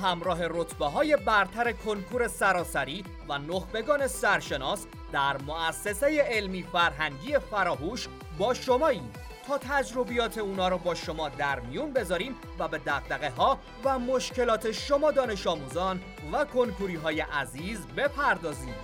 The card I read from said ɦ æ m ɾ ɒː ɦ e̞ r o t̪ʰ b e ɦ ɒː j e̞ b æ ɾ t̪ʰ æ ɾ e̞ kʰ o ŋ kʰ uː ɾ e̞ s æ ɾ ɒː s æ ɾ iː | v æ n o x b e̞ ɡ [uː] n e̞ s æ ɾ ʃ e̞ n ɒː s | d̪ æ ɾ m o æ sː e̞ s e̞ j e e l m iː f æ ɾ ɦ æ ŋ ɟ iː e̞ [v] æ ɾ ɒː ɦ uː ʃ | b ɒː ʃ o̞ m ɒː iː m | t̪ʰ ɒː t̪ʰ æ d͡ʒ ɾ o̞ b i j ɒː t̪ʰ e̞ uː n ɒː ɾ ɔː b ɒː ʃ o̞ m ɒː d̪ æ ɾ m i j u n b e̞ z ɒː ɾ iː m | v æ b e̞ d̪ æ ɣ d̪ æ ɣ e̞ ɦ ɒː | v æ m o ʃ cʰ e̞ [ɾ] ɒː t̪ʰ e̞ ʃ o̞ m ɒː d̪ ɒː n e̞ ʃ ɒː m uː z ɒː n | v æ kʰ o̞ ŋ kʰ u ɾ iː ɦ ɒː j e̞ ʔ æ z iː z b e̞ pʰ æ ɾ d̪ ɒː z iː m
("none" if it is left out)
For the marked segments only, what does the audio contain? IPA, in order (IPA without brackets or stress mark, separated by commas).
ɒː, f, l